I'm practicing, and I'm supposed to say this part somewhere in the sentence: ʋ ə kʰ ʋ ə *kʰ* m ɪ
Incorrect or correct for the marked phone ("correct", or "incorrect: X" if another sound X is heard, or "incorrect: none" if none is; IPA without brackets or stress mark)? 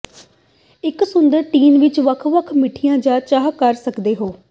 correct